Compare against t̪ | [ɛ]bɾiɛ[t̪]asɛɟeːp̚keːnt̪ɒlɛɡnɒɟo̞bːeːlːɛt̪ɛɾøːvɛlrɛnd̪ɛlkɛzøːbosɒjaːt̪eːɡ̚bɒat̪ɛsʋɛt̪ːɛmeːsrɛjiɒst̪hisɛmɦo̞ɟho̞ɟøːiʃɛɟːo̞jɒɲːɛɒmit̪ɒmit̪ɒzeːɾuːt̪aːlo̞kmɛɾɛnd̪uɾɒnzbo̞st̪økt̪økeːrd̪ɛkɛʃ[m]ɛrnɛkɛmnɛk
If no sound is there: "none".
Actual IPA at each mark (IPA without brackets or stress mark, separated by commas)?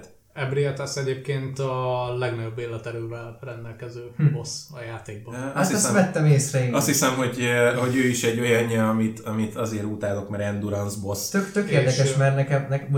ɛ, t̪, m